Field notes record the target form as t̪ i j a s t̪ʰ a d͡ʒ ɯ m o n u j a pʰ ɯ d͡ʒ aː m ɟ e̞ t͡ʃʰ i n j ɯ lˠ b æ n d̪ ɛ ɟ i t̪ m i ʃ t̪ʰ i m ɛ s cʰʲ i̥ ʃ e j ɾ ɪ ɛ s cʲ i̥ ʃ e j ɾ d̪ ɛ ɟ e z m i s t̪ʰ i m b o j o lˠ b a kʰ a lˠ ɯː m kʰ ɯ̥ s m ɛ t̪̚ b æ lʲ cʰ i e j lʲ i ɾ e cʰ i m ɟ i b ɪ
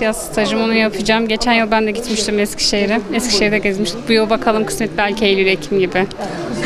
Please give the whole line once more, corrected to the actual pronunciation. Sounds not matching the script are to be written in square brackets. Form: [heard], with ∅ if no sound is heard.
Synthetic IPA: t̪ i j a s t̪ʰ a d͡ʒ ɯ m o n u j a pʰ ɯ d͡ʒ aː m ɟ e̞ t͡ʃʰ [æ] n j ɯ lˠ b æ n d̪ ɛ ɟ i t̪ m i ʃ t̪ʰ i m ɛ s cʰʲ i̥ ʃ e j ɾ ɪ ɛ s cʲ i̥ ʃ e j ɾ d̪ ɛ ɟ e z m i [ʃ] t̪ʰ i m b [u] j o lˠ b a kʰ a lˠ [ɯ] m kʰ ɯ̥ s m ɛ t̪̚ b æ lʲ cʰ i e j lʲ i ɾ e cʰ i m ɟ i b ɪ